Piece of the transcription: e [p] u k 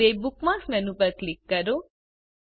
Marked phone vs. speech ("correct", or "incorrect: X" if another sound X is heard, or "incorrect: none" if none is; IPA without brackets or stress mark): incorrect: b